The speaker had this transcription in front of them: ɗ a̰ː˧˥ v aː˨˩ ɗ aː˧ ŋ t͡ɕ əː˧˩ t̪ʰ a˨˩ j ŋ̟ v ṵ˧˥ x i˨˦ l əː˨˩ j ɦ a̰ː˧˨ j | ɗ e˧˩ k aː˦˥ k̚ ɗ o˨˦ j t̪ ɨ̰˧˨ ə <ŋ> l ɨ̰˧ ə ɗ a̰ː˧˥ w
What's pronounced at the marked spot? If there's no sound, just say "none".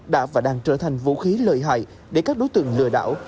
ŋ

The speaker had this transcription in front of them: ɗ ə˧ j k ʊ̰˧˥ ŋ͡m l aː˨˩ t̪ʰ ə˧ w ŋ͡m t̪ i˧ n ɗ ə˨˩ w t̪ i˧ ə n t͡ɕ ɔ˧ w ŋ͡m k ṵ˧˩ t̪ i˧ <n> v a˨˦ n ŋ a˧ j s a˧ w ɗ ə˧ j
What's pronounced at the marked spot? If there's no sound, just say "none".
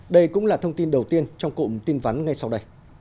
n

